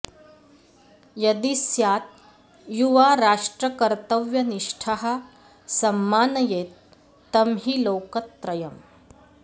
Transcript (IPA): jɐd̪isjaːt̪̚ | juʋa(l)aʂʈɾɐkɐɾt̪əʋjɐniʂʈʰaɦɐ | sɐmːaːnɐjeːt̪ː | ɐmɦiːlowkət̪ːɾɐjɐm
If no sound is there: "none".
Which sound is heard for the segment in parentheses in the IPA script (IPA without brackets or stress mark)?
ɾ